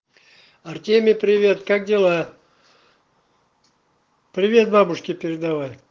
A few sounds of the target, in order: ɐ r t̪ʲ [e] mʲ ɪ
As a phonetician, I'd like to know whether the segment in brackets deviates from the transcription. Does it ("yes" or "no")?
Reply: no